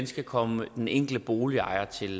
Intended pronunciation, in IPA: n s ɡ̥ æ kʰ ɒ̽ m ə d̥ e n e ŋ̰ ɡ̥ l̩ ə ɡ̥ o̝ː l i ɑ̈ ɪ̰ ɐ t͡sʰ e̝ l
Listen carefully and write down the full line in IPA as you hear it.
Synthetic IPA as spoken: n s ɡ̥ æ kʰ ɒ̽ m ə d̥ e n e ŋ̰ ɡ̥ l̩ ə b̥ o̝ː l i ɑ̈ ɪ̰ ɐ t͡sʰ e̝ l